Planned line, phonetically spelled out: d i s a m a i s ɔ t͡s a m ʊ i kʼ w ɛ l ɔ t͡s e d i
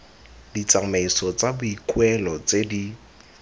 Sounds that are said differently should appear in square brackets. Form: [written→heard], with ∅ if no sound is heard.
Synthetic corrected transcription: d i [s→t͡s] a m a i s ɔ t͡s a [m→b] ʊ i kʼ w ɛ l ɔ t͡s e d i